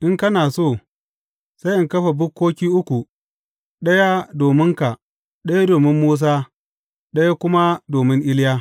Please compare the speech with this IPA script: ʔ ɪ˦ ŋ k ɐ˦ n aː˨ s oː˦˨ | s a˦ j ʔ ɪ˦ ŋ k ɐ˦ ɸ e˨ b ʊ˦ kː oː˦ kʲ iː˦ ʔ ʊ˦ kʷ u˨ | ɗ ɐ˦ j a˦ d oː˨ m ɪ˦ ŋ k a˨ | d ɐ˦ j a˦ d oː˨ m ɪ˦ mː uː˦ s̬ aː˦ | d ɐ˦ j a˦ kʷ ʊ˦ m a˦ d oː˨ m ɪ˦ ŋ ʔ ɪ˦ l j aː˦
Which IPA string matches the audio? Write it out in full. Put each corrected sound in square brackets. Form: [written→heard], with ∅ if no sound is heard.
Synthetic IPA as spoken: ʔ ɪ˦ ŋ k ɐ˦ n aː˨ s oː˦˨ | s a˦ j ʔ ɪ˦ ŋ k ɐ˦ ɸ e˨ b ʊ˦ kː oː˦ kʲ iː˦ ʔ ʊ˦ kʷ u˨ | ɗ ɐ˦ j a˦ d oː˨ m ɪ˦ ŋ k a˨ | [d→ɗ] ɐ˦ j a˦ d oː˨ m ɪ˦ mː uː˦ s̬ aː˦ | [d→ɗ] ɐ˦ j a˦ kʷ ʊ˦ m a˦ d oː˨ m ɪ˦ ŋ ʔ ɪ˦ l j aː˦